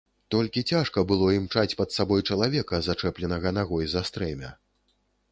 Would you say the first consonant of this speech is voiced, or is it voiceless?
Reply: voiceless